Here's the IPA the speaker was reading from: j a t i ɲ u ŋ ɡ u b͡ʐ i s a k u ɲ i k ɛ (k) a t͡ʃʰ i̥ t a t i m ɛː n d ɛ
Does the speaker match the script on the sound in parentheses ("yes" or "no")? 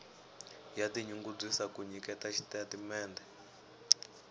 no